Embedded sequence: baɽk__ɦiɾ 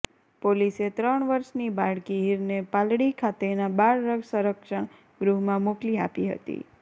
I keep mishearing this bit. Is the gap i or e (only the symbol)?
i